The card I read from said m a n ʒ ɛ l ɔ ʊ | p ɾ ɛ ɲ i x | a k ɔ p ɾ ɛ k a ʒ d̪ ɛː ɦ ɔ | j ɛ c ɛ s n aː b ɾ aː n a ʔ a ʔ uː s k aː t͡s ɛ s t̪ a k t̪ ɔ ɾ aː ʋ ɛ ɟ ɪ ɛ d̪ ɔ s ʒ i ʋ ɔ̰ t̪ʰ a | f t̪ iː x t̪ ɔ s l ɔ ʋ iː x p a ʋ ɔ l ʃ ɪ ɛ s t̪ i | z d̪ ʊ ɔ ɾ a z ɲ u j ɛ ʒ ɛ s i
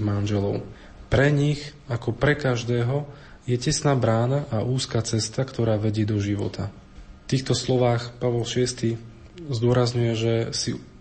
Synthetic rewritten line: m a n ʒ ɛ l ɔ ʊ | p ɾ ɛ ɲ i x | a k ɔ p ɾ ɛ k a ʒ d̪ ɛː ɦ ɔ | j ɛ c ɛ s n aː b ɾ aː n a ʔ a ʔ uː s k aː t͡s ɛ s t̪ a k t̪ ɔ ɾ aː ʋ ɛ ɟ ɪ ɛ d̪ ɔ ʒ i ʋ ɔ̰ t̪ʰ a | f t̪ iː x t̪ ɔ s l ɔ ʋ aː x p a ʋ ɔ l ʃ ɪ ɛ s t̪ i | z d̪ ʊ ɔ ɾ a z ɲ u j ɛ ʒ ɛ s i